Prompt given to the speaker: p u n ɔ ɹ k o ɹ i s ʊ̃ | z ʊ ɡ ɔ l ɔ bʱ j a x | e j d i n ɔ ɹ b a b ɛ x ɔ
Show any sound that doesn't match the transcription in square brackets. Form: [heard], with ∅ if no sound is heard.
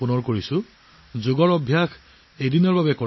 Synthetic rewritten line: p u n ɔ ɹ k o ɹ i s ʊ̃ | z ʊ ɡ ɔ [ɹ] ɔ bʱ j a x | e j d i n ɔ ɹ b a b ɛ [k] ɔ